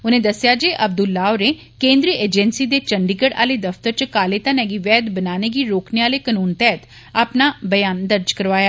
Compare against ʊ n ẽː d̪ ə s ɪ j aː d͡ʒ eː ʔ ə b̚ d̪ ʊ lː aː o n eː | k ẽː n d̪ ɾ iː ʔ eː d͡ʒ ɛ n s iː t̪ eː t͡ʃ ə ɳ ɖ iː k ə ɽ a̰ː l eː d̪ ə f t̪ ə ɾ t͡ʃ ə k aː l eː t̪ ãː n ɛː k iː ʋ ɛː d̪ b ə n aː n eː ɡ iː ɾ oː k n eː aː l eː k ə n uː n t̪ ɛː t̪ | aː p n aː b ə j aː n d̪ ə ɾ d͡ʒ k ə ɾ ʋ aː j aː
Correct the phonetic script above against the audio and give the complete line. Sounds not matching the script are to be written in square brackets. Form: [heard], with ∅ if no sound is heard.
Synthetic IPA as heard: ʊ n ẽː d̪ ə s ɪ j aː d͡ʒ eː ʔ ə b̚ d̪ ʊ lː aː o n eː | k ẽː n d̪ ɾ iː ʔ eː d͡ʒ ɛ n s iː [d̪] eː t͡ʃ ə ɳ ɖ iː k ə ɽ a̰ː l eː d̪ ə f t̪ ə ɾ t͡ʃ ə k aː l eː t̪ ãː n ɛː [ɡ] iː ʋ ɛː d̪ b ə n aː n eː ɡ iː ɾ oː k n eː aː l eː k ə n uː n t̪ ɛː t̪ | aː p n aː b ə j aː n d̪ ə ɾ d͡ʒ k ə ɾ ʋ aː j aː

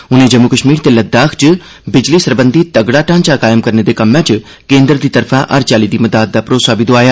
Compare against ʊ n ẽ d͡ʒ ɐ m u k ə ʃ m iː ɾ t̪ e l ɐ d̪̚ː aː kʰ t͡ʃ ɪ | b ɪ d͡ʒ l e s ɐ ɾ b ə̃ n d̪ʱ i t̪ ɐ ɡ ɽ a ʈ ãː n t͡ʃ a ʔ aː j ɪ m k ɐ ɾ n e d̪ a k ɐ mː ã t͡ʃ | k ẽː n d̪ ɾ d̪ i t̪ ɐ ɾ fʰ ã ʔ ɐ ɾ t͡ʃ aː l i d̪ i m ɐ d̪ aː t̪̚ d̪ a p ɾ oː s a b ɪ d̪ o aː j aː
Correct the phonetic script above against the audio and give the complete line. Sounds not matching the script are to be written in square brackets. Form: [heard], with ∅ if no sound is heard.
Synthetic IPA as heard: ʊ n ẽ d͡ʒ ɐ m u k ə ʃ m iː ɾ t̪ e l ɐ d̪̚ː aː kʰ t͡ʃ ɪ | b ɪ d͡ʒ l [i] s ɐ ɾ b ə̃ n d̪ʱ i t̪ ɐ ɡ ɽ a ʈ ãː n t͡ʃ a [k] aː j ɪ m k ɐ ɾ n e d̪ [e] k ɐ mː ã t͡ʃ | k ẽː n d̪ ɾ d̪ i t̪ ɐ ɾ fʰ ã ʔ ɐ ɾ t͡ʃ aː l i d̪ i m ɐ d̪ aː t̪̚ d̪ a p ɾ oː s a b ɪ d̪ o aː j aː

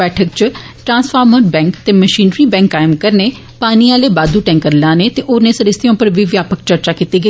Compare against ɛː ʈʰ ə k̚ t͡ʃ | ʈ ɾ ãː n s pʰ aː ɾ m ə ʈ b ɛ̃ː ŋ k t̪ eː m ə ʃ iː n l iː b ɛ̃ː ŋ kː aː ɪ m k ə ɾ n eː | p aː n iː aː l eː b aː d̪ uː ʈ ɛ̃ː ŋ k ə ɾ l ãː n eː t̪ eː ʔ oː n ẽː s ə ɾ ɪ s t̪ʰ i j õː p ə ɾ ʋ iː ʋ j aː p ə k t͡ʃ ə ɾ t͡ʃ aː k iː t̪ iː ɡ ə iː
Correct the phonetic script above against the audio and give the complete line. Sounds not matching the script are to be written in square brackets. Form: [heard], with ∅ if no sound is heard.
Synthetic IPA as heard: ɛː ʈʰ ə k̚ t͡ʃ | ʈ ɾ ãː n s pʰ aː ɾ m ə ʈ b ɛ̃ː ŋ k t̪ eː m ə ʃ iː n [ɾ] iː b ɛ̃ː ŋ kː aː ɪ m k ə ɾ n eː | p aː n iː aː l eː b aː d̪ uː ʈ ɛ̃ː ŋ k ə ɾ l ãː n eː t̪ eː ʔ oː n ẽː s ə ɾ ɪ s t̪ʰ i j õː p ə ɾ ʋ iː ʋ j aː p ə k t͡ʃ ə ɾ t͡ʃ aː k iː t̪ iː ɡ ə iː

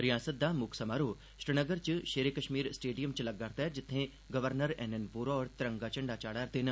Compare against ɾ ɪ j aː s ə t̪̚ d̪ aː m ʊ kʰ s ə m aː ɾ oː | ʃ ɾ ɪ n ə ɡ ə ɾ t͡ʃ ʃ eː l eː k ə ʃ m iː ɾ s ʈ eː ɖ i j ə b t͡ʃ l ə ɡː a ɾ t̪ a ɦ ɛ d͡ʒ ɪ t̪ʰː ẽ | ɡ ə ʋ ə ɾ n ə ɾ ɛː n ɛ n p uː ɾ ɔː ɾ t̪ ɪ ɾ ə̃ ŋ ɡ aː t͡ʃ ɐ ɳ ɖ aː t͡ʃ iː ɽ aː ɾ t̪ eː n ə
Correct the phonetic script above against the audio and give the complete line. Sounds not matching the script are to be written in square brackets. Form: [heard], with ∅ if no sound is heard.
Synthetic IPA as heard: ɾ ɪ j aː s ə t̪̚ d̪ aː m ʊ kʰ s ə m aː ɾ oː | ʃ ɾ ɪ n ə ɡ ə ɾ t͡ʃ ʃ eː [ɾ] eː k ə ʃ m iː ɾ s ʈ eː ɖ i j ə [m] t͡ʃ l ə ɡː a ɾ t̪ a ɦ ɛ d͡ʒ ɪ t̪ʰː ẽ | ɡ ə ʋ ə ɾ n ə ɾ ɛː n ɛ n p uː ɾ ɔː ɾ t̪ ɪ ɾ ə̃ ŋ ɡ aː t͡ʃ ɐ ɳ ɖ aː t͡ʃ [aː] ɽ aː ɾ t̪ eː n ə

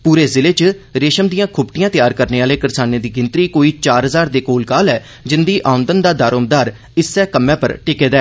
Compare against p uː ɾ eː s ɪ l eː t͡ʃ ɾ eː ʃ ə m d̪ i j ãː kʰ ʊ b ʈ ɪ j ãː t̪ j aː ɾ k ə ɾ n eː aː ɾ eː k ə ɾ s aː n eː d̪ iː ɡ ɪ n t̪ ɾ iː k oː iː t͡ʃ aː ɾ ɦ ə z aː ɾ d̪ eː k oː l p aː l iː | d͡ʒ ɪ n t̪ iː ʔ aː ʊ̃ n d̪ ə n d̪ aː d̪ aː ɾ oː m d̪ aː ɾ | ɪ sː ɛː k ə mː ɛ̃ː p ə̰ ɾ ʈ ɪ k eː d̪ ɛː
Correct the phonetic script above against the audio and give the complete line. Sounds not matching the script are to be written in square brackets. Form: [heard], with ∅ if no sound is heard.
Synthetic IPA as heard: p uː ɾ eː [z] ɪ l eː t͡ʃ ɾ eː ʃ ə m d̪ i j ãː kʰ ʊ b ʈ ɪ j ãː t̪ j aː ɾ k ə ɾ n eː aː [l] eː k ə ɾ s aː n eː d̪ iː ɡ ɪ n t̪ ɾ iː k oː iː t͡ʃ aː ɾ ɦ ə z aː ɾ d̪ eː k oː l [k] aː l [ɛː] | d͡ʒ ɪ n [d̪] iː ʔ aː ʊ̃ n d̪ ə n d̪ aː d̪ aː ɾ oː m d̪ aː ɾ | ɪ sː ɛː k ə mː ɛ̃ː p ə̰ ɾ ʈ ɪ k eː d̪ ɛː

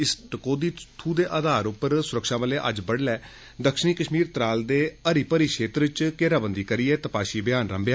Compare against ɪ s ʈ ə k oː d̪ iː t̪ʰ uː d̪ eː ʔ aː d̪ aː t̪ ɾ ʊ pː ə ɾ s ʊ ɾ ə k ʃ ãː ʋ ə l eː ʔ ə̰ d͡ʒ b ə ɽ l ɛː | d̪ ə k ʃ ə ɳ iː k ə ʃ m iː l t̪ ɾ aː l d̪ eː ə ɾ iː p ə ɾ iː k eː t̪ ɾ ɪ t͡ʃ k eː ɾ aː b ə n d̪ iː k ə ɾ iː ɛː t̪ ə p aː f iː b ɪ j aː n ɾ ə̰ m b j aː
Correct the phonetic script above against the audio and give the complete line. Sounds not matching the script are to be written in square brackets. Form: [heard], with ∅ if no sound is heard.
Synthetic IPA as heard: ɪ s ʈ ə k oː d̪ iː t̪ʰ uː d̪ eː ʔ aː d̪ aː [∅] ɾ ʊ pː ə ɾ s ʊ ɾ ə k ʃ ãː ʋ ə l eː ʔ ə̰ d͡ʒ b ə ɽ l ɛː | d̪ ə k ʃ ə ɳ iː k ə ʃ m iː [ɾ] t̪ ɾ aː l d̪ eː ə ɾ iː p ə ɾ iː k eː t̪ ɾ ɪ t͡ʃ k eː ɾ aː b ə n d̪ iː k ə ɾ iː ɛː t̪ ə p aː [ʃ] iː b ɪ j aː n ɾ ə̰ m b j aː

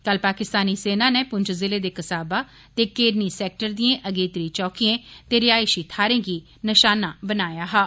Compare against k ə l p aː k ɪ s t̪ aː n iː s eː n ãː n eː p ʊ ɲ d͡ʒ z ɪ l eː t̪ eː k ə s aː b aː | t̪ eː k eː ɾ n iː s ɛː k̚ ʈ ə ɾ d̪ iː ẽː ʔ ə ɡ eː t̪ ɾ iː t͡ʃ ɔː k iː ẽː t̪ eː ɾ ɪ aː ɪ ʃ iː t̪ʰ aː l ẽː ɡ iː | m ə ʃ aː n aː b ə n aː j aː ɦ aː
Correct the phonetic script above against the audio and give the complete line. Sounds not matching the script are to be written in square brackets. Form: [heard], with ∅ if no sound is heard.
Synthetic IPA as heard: k ə l p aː k ɪ s t̪ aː n iː s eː n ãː n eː p ʊ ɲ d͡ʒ z ɪ l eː [d̪] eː k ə s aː b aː | t̪ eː k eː ɾ n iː s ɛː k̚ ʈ ə ɾ d̪ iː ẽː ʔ ə ɡ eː t̪ ɾ iː t͡ʃ ɔː k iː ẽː t̪ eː ɾ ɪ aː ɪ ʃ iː t̪ʰ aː [ɾ] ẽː ɡ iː | [n] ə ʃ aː n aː b ə n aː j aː ɦ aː

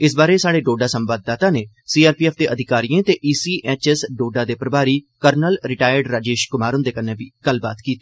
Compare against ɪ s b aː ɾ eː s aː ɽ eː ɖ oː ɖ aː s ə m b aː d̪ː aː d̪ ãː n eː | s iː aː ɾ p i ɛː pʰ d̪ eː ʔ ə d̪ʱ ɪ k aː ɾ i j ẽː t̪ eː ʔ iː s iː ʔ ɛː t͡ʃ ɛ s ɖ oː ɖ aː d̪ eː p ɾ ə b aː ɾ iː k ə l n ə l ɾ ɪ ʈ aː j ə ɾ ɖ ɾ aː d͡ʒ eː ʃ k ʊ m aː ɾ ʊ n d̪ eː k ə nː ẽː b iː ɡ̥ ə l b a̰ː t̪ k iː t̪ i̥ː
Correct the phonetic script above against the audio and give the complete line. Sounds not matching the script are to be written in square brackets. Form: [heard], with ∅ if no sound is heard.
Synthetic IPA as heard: ɪ s b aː ɾ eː s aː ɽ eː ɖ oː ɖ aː s ə m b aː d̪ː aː [t̪] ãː n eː | s iː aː ɾ p i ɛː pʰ d̪ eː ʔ ə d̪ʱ ɪ k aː ɾ i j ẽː t̪ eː ʔ iː s iː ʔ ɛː t͡ʃ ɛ s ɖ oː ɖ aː d̪ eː p ɾ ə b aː ɾ iː k ə [ɾ] n ə l ɾ ɪ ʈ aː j ə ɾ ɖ ɾ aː d͡ʒ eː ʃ k ʊ m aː ɾ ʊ n d̪ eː k ə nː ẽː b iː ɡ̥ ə l b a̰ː t̪ k iː t̪ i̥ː

